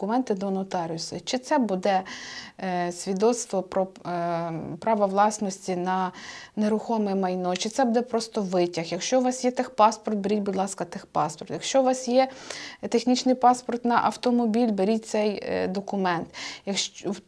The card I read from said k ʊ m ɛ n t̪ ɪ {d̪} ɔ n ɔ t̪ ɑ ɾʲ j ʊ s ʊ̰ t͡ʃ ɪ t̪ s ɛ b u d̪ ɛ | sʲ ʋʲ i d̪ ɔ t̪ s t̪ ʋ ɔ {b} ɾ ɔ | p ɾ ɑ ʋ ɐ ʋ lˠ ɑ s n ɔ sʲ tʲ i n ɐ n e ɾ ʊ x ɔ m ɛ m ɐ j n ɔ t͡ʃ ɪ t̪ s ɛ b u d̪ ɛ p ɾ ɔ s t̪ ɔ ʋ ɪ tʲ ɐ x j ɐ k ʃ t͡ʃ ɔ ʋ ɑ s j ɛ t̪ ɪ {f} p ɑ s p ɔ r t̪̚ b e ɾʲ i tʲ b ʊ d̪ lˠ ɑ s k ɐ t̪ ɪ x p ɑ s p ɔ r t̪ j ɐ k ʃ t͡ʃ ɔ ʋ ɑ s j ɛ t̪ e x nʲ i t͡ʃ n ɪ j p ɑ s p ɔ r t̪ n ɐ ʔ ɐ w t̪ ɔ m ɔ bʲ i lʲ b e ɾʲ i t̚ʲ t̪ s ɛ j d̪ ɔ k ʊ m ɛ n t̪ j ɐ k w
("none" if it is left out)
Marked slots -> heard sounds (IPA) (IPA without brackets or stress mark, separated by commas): d̪, p, x